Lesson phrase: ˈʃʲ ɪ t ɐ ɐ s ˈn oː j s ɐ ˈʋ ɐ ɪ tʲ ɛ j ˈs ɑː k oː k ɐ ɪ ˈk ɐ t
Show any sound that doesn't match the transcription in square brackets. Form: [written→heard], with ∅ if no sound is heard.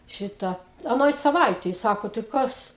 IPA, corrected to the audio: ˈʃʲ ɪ t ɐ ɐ [s→∅] ˈn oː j s ɐ ˈʋ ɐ ɪ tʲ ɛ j ˈs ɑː k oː [k→t] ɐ ɪ ˈk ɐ [t→s]